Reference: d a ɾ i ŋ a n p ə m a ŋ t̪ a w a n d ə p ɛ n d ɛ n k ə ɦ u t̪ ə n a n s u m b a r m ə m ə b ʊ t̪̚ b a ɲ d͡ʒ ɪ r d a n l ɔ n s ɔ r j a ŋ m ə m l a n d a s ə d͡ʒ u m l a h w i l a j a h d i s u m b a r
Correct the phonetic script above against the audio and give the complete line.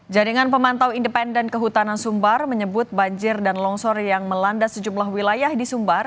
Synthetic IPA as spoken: d͡ʒ a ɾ i ŋ a n p ə m a n t̪ a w i n d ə p ɛ n d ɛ n k ə ɦ u t̪ a n a n s u m b a r m ə ɲ ə b ʊ t̪̚ b a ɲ d͡ʒ ɪ r d a n l ɔ ŋ s ɔ r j a ŋ m ə l a n d a s ə d͡ʒ u m l a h w i l a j a h d i s u m b a r